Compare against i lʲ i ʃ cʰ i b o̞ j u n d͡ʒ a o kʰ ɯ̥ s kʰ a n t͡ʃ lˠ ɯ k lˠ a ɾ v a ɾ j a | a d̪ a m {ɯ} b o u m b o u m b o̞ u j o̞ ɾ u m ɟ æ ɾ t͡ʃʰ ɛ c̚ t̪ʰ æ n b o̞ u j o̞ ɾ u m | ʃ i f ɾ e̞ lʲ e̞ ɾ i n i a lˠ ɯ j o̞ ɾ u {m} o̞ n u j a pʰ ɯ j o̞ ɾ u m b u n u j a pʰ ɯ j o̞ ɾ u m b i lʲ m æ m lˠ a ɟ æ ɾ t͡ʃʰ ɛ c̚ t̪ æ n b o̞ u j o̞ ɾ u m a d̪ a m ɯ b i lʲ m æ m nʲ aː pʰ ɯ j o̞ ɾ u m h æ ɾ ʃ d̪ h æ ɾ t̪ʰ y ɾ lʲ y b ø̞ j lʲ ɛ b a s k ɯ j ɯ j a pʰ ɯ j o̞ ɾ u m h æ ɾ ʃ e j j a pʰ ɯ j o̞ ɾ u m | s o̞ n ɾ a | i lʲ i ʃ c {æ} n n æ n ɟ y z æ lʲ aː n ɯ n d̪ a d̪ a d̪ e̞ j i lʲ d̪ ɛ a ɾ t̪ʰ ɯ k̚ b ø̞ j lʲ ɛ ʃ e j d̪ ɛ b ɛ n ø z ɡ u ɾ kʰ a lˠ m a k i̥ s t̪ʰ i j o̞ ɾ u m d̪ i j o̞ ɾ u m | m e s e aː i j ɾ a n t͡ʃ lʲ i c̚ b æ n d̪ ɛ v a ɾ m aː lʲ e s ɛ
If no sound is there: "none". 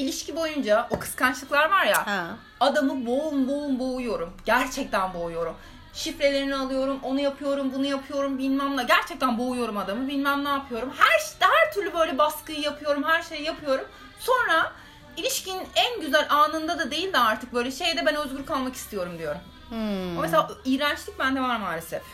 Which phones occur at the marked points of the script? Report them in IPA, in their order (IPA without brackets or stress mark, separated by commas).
ɯ, m, i